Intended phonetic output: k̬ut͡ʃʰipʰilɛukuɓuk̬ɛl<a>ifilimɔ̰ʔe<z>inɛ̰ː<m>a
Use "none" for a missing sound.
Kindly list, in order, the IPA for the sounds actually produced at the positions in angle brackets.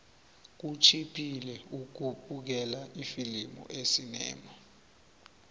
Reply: a, s, m

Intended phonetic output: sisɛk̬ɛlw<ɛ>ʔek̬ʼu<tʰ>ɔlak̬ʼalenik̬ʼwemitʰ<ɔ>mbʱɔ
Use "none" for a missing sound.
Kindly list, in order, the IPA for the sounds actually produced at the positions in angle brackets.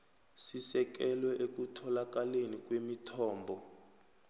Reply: ɛ, tʰ, ɔː

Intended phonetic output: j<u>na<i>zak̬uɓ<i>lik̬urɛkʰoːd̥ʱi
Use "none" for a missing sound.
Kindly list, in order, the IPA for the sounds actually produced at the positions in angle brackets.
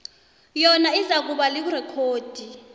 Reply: ɔ, i, a

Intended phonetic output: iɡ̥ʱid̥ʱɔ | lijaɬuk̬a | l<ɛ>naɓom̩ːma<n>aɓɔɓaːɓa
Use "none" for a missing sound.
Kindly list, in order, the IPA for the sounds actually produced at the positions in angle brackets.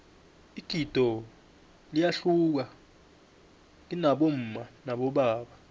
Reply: i, n

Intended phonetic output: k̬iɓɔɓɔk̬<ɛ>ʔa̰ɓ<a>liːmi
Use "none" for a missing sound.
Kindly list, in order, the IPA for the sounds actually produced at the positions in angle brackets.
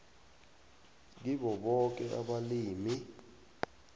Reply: ɛ, a

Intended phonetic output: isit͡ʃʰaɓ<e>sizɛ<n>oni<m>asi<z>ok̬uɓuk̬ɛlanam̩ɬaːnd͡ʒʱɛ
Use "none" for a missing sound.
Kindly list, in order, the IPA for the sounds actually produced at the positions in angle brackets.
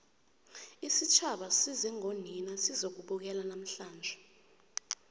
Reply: a, ŋ, n, z

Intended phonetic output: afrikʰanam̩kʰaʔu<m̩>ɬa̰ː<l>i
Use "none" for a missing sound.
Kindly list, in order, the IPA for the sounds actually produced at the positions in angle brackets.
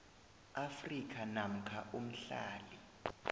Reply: m̩, l

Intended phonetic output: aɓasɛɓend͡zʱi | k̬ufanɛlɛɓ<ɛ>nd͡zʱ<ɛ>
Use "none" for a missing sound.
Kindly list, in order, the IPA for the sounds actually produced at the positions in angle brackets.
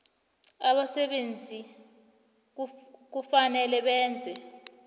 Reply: ɛː, ɛ

